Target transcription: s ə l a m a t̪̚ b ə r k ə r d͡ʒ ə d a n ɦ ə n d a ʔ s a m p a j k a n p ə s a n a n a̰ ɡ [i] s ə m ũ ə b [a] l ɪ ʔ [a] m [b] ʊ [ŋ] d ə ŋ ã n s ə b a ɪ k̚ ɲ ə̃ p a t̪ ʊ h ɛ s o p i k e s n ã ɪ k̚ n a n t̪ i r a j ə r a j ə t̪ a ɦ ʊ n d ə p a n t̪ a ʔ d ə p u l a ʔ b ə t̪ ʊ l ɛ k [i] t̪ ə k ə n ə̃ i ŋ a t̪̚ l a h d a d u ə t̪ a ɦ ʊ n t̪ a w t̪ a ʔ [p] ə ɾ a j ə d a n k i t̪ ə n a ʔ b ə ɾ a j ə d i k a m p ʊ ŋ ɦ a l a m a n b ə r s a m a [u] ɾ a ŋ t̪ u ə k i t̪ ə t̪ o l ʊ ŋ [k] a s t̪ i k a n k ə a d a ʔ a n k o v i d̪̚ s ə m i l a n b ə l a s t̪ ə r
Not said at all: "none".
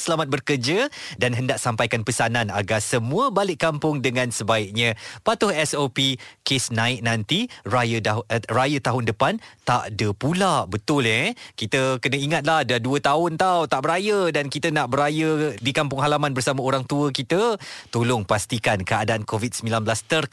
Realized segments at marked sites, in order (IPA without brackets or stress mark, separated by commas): a, a, a, p, ŋ, i, b, o, p